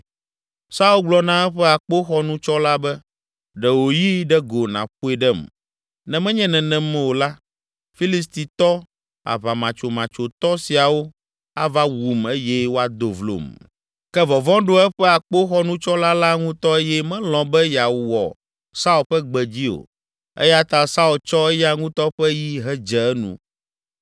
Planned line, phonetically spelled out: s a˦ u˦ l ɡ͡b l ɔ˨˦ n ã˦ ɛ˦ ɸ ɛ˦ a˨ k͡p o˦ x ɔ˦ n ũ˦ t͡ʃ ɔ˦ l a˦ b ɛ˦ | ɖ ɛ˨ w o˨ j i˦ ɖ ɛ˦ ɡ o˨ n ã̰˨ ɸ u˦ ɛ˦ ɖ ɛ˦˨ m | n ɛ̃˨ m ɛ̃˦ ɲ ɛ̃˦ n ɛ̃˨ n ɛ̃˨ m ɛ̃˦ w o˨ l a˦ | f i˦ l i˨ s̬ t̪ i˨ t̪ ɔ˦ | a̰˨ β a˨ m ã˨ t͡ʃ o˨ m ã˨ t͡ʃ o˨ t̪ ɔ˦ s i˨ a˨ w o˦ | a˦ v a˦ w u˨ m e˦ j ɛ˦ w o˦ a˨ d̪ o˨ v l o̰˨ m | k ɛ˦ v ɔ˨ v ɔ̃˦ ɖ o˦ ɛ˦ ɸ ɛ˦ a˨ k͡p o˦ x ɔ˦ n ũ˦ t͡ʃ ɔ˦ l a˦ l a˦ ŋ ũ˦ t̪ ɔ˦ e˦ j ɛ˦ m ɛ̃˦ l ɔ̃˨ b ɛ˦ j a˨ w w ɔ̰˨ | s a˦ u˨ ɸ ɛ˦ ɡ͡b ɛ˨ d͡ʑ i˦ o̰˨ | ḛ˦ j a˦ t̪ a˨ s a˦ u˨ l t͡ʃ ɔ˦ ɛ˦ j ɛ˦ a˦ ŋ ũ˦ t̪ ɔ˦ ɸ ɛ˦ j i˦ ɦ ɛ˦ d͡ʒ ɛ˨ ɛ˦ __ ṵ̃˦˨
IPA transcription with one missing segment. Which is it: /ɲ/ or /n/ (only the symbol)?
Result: n